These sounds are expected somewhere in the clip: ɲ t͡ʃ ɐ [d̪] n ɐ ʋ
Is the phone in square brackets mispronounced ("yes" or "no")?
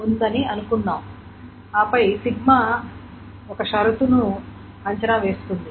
yes